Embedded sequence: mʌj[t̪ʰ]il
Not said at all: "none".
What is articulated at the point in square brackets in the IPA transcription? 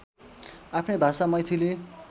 t̪ʰ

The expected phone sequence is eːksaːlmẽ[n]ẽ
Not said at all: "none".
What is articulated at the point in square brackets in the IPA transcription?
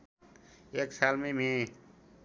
m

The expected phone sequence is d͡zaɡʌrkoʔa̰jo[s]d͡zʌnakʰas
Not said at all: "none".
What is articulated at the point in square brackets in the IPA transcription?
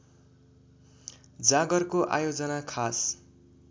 none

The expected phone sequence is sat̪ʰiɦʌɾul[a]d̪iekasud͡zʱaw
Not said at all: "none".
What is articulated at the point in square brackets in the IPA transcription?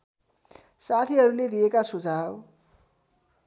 e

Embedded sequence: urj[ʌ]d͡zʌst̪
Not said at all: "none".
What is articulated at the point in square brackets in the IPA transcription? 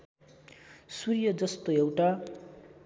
ʌ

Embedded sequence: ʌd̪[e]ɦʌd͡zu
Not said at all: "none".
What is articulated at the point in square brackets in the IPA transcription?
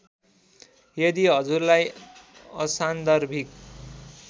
i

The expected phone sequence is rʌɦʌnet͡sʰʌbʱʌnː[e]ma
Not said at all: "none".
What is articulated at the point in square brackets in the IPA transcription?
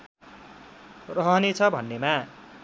e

